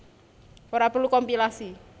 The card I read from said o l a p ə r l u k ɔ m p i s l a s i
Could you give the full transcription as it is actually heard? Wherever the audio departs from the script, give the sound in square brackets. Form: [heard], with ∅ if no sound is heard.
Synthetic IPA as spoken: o [ɾ] a p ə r l u k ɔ m p i [∅] l a s i